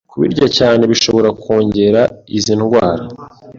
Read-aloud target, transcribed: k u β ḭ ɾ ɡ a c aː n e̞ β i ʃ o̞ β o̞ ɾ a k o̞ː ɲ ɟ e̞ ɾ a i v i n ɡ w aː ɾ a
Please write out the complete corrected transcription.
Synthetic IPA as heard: k u β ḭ ɾ ɟ a c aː n e̞ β i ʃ o̞ β o̞ ɾ a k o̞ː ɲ ɟ e̞ ɾ a i z i n ɡ w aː ɾ a